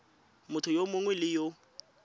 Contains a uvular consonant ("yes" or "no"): no